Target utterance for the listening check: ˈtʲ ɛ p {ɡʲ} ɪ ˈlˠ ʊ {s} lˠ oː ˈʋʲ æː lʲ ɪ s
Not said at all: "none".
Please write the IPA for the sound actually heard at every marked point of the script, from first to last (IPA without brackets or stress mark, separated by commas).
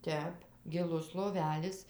ɡʲ, s